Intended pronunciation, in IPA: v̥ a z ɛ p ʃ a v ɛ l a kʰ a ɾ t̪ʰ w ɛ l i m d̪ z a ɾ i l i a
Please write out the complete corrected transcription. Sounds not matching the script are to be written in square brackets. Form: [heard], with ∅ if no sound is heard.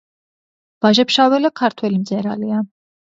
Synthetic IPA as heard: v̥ a [ʒ] ɛ p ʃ a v ɛ l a kʰ a ɾ t̪ʰ w ɛ l i m d̪ z [ɛ] ɾ [a] l i a